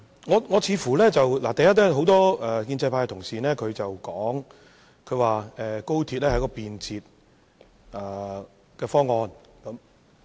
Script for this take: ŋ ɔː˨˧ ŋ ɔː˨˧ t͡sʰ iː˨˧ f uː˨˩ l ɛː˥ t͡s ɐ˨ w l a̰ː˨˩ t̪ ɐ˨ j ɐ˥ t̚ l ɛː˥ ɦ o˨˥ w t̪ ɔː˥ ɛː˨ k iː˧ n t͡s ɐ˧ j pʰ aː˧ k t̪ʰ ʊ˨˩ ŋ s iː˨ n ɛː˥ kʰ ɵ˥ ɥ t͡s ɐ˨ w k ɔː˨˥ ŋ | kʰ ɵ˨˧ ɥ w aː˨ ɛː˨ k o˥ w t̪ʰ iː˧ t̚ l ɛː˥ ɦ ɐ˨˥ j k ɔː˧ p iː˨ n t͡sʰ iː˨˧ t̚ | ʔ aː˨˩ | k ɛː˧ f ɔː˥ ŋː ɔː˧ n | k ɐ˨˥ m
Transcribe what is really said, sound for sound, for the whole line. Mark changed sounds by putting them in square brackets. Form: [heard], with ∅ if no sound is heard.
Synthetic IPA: ŋ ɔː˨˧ ŋ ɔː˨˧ t͡sʰ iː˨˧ f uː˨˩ l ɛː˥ t͡s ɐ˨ w l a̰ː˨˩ t̪ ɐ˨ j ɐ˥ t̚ l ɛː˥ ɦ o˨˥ w t̪ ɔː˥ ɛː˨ k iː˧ n t͡s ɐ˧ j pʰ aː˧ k t̪ʰ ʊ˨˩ ŋ s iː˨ n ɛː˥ kʰ [ɵ˨˧] ɥ t͡s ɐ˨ w k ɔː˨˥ ŋ | kʰ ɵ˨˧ ɥ w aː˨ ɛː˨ k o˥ w t̪ʰ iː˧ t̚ l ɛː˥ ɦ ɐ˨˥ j k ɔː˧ p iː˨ n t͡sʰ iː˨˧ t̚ | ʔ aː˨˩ | k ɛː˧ f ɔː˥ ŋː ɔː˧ n | k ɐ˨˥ m